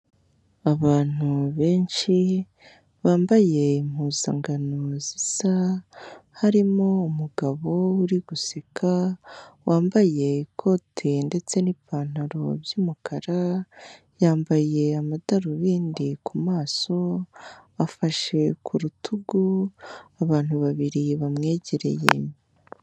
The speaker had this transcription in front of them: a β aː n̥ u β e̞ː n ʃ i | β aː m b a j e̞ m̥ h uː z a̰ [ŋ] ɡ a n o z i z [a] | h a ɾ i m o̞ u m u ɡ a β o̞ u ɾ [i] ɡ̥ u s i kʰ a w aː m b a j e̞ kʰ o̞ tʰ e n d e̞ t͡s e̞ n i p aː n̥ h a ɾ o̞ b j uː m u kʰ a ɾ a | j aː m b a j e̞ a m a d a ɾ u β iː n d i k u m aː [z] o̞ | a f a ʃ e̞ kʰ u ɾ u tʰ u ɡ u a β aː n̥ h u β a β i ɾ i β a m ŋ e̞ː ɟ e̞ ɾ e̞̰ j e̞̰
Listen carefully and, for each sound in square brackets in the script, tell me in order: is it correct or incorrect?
correct, correct, correct, incorrect: s

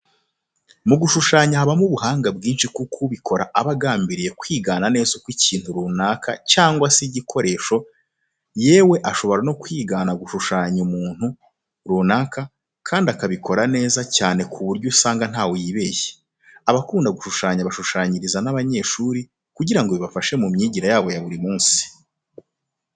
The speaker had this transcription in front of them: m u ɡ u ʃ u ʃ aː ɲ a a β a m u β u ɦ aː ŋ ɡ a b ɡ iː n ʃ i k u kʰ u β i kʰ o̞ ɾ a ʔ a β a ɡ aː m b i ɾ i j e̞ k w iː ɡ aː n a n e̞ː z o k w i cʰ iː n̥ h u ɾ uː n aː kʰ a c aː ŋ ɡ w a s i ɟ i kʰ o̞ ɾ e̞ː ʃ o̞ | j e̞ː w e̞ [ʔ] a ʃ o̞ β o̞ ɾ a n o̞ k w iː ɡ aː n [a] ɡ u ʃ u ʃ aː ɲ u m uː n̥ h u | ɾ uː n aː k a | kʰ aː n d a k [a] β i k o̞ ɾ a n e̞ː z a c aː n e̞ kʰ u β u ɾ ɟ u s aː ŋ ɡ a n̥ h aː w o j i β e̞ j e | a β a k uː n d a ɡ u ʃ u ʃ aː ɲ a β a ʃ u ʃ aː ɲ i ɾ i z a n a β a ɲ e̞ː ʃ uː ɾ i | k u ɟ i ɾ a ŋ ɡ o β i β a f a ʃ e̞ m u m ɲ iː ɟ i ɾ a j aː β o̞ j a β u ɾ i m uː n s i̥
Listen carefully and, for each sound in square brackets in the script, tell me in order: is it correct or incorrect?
correct, correct, correct

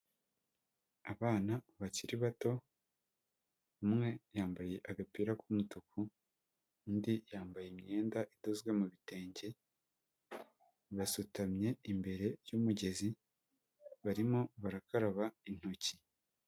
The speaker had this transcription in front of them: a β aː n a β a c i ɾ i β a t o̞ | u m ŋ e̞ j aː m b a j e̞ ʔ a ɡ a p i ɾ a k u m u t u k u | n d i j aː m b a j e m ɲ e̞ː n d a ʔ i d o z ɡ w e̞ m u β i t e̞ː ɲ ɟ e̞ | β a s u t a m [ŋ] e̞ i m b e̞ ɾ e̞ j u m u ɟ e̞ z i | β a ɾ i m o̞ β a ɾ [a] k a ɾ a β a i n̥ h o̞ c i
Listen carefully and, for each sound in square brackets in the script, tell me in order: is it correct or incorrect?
incorrect: ɲ, correct

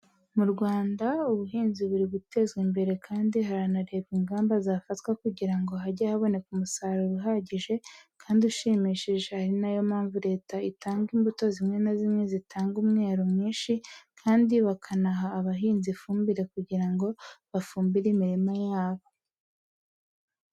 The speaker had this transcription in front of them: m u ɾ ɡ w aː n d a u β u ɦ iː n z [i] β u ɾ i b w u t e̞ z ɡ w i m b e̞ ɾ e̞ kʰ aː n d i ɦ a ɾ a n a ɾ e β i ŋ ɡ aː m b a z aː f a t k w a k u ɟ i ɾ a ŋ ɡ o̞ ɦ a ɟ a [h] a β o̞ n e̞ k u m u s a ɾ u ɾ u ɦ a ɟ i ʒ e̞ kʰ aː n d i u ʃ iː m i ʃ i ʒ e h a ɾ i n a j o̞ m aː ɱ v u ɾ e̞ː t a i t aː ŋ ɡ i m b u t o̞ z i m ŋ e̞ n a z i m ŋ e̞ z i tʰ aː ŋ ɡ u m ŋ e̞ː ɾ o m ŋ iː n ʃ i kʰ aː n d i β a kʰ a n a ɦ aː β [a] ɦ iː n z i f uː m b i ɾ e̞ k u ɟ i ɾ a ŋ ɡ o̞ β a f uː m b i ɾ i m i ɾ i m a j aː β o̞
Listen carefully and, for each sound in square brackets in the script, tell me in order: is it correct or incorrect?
correct, correct, correct

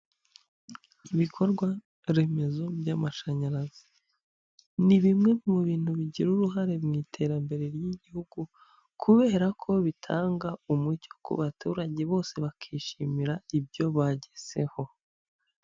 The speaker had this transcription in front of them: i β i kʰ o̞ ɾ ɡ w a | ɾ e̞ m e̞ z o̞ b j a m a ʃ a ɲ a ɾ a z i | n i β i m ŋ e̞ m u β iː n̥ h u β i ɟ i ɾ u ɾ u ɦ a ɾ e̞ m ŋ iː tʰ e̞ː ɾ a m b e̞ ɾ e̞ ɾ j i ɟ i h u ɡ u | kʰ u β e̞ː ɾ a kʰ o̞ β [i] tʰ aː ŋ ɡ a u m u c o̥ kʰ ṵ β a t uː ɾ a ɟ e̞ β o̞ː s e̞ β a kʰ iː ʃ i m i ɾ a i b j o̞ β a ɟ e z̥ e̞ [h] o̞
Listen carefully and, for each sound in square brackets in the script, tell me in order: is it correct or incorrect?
correct, correct

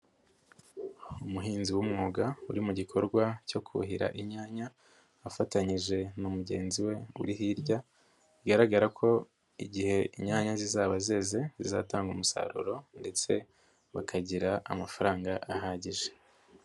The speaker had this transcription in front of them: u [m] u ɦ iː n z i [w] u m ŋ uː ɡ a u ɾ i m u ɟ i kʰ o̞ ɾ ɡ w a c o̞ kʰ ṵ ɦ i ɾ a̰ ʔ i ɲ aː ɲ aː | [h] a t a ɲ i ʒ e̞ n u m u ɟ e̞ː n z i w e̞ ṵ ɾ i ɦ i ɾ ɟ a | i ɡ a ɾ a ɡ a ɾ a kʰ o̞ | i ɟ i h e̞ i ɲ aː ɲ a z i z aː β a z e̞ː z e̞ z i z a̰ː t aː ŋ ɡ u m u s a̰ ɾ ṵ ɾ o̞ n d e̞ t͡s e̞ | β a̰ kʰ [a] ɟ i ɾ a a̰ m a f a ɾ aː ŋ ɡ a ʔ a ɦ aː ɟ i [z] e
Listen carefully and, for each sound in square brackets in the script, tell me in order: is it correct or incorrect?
correct, correct, incorrect: f, correct, incorrect: ʒ

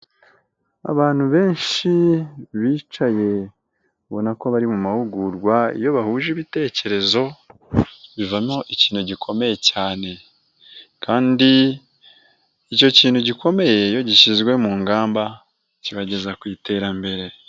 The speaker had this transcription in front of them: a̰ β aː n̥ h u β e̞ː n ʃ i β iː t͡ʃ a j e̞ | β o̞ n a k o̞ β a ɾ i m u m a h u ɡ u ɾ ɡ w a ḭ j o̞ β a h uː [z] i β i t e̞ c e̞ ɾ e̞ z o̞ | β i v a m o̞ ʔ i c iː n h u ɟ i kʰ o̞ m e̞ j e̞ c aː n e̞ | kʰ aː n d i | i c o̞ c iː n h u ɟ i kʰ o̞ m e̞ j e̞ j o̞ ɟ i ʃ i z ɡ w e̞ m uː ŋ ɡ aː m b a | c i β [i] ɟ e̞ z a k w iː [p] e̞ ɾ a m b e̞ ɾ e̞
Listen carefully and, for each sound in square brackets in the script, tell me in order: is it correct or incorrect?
incorrect: ʒ, incorrect: a, incorrect: t

